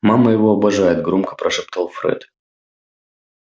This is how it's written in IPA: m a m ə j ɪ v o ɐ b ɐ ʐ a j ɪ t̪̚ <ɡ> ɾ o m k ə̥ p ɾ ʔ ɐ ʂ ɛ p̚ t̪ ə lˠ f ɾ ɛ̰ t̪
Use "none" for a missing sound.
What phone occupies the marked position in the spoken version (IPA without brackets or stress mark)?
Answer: ɡ